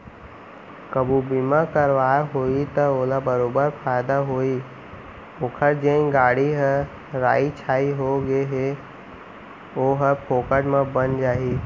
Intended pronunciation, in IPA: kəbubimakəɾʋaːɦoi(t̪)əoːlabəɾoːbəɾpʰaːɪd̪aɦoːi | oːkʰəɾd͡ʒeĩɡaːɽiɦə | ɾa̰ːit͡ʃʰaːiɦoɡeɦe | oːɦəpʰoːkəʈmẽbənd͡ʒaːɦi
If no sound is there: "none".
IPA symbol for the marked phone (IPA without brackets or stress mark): t̪